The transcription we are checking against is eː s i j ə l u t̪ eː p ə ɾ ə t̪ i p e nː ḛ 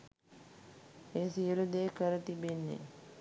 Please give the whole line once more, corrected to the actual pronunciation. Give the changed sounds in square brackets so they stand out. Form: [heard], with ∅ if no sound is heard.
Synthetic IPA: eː s i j ə l u [d̪] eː [k] ə ɾ ə t̪ i [b] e nː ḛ